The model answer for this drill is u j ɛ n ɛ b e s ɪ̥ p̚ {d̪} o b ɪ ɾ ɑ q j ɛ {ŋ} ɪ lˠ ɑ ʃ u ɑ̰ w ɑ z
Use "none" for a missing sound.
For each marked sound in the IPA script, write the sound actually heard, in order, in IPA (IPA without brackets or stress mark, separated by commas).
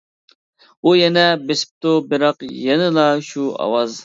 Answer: t̪, n